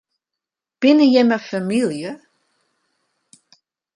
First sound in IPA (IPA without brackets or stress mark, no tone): b̥